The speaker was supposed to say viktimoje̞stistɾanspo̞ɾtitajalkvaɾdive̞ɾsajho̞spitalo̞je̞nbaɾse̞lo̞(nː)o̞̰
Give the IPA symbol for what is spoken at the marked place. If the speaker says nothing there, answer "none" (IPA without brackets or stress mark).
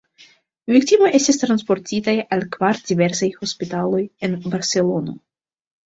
n